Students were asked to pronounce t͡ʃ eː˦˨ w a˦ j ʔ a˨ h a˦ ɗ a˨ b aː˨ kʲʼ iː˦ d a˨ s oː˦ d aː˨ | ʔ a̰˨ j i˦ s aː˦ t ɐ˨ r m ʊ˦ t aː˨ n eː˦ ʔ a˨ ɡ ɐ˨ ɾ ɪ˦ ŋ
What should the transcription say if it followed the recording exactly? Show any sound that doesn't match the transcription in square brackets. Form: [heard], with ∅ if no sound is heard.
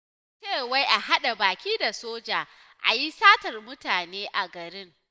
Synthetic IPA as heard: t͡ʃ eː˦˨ w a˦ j ʔ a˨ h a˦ ɗ a˨ b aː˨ [kʲ] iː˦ d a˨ s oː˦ [d͡ʒ] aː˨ | ʔ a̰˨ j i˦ s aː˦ t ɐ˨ r m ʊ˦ t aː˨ n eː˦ ʔ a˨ ɡ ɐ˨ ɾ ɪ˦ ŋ